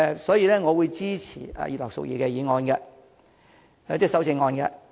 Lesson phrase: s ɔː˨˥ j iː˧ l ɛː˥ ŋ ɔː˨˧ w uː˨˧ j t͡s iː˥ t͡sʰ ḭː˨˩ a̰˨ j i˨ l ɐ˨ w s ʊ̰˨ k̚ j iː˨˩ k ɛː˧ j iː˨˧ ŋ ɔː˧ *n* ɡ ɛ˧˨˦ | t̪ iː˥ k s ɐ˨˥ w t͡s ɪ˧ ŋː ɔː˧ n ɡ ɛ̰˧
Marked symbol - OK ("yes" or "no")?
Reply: yes